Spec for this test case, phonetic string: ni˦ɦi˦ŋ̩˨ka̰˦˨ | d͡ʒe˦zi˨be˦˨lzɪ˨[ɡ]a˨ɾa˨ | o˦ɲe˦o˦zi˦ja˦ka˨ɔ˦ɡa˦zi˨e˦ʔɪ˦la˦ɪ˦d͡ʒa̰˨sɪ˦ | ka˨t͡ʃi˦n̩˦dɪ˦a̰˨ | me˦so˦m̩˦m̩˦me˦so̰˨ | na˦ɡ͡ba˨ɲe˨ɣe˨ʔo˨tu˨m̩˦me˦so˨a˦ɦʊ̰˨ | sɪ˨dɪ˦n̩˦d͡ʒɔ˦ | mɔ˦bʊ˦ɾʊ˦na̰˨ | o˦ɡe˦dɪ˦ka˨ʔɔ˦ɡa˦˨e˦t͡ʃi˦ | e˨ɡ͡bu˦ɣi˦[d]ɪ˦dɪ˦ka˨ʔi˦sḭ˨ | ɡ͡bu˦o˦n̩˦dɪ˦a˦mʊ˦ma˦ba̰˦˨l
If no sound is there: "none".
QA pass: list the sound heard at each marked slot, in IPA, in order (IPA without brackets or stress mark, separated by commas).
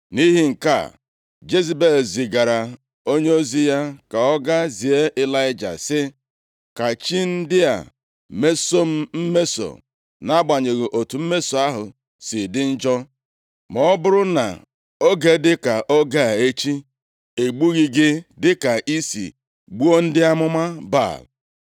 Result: ɡ, ɡ